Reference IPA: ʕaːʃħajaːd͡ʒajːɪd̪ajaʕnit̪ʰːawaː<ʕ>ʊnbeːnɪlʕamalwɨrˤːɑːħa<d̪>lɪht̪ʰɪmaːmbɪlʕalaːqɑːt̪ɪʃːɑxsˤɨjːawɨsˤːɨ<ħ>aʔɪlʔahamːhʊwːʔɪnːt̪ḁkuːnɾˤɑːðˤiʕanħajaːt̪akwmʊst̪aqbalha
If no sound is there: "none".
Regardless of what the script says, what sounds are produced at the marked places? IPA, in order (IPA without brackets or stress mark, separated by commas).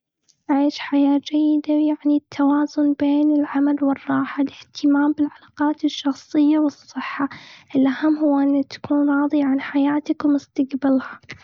z, none, ħː